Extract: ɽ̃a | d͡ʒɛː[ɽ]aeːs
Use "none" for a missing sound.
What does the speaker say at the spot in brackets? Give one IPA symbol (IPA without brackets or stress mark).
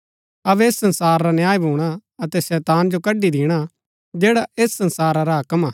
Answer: ɽ